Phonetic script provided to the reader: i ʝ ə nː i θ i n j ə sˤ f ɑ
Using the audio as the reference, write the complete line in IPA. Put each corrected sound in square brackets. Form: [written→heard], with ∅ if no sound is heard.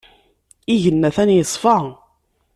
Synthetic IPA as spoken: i ʝ ə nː [i→æ] θ [i→æ] n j ə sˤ f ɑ